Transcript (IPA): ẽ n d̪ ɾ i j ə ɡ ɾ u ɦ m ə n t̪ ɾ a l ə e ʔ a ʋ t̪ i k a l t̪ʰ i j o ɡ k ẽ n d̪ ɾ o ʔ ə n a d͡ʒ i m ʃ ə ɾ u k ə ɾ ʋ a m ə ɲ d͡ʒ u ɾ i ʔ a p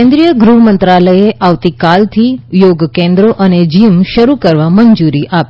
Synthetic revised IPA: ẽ n d̪ ɾ i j ə ɡ ɾ u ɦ m ə n t̪ ɾ a l ə e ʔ a ʋ t̪ i k a l t̪ʰ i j o ɡ k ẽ n d̪ ɾ o ʔ ə n e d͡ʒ i m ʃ ə ɾ u k ə ɾ ʋ a m ə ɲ d͡ʒ u ɾ i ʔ a p